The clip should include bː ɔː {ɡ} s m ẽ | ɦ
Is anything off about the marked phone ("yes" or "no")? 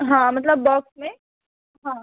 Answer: yes